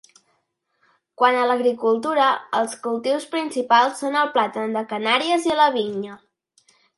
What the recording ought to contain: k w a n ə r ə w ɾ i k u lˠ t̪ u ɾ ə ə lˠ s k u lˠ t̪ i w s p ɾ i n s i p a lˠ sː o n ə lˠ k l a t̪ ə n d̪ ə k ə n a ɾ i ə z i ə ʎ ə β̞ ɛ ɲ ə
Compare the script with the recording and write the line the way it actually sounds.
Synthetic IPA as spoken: k w a n ə l ə ɣ ɾ i k u lˠ t̪ u ɾ ə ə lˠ s k u lˠ t̪ i w s p ɾ i n s i p a lˠ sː o n ə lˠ p l a t̪ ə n d̪ ə k ə n a ɾ i ə z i ə l ə β̞ i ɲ ə